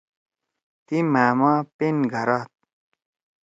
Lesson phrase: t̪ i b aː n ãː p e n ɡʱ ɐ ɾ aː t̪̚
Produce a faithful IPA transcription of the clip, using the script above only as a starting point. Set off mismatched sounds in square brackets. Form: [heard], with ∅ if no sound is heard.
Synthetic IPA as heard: t̪ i [m] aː [m] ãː p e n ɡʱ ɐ ɾ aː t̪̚